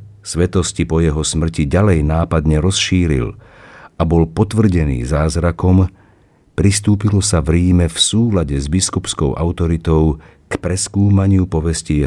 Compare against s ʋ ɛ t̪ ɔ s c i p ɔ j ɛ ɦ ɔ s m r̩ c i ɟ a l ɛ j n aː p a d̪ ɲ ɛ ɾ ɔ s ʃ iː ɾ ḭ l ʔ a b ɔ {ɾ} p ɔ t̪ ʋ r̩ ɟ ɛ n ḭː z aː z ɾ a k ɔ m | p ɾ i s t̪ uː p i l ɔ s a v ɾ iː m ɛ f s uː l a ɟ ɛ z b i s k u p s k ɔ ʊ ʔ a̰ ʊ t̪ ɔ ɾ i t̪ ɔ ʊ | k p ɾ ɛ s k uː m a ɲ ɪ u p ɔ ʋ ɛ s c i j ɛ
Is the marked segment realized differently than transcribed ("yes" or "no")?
yes